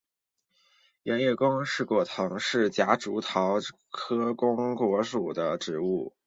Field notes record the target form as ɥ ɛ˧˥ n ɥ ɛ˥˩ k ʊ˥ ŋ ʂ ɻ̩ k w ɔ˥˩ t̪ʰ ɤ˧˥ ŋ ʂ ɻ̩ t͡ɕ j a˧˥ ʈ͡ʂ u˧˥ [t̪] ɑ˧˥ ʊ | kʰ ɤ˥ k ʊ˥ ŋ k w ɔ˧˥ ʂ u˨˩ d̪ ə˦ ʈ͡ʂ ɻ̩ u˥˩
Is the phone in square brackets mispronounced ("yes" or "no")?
yes